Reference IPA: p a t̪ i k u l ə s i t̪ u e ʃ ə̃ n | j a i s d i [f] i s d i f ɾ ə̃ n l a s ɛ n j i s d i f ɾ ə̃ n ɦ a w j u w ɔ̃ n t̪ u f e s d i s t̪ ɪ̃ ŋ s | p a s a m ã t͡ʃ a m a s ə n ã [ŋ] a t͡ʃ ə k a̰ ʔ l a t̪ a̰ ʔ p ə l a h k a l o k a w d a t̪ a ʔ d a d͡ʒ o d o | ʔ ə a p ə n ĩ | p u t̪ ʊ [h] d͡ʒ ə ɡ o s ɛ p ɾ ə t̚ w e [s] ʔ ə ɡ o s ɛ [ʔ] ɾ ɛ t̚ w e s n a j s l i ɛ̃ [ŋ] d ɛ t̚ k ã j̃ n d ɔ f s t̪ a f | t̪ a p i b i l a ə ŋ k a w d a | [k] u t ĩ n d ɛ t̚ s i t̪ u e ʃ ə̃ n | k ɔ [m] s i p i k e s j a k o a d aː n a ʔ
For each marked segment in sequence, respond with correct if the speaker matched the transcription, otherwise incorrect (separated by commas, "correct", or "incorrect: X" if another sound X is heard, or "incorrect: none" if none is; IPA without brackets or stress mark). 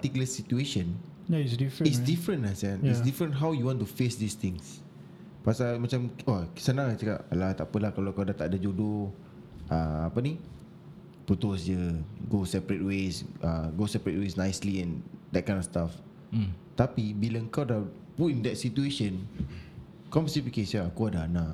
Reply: correct, correct, incorrect: s, correct, incorrect: p, incorrect: n, incorrect: p, correct